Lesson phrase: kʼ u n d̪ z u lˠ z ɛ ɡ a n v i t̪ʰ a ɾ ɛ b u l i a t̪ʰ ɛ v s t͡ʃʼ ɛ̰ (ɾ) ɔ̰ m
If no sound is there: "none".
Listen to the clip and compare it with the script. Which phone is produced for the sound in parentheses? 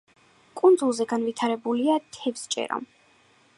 ɾ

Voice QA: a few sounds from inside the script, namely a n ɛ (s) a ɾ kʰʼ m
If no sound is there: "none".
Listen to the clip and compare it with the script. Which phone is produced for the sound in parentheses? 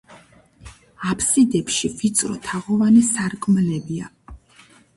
s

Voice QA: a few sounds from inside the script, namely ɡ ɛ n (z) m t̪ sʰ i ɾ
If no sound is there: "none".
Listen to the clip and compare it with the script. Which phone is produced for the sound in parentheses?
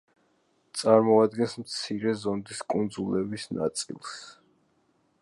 s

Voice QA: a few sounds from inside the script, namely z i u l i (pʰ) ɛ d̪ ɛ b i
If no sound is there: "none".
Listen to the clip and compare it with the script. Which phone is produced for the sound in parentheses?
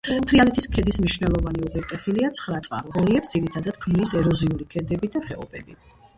kʰ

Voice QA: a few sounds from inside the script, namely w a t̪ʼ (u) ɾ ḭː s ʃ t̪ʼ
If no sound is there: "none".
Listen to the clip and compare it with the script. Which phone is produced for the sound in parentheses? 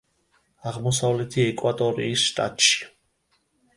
ɔ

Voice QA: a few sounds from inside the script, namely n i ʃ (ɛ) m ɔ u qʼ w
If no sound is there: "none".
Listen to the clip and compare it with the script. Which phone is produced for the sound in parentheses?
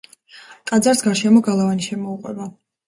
ɛ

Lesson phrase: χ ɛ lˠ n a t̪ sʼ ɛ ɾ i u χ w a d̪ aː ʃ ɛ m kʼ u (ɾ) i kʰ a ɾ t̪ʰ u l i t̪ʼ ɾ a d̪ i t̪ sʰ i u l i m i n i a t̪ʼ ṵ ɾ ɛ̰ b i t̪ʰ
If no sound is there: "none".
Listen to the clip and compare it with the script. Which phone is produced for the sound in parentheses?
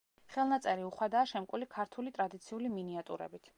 l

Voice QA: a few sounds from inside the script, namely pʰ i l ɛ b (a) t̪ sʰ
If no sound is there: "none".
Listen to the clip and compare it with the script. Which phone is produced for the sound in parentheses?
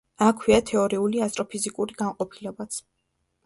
a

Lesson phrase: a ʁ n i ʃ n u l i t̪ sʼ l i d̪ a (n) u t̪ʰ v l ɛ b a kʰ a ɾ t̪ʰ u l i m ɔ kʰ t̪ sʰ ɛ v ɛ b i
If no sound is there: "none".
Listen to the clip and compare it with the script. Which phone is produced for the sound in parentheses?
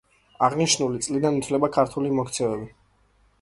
n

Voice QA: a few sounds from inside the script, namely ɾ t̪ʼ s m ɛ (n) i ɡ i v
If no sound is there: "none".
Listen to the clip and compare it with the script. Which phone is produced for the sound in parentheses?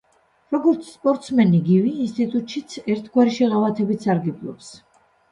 n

